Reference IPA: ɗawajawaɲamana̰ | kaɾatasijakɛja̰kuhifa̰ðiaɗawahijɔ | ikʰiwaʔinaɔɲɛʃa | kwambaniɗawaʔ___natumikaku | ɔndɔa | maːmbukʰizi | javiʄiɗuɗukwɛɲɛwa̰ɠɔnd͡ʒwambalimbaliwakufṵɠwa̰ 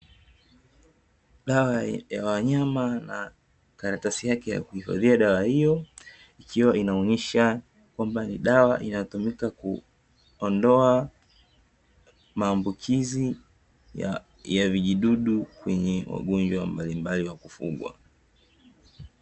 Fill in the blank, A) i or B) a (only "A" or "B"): A